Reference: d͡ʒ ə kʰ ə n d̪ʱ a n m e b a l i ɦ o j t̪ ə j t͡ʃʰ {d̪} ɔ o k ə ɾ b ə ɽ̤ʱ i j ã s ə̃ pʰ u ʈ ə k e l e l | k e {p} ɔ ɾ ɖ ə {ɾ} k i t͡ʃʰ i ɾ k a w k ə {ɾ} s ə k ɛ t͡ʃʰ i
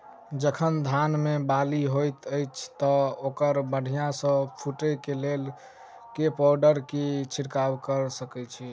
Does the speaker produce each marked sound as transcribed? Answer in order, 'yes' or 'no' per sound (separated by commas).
no, yes, yes, yes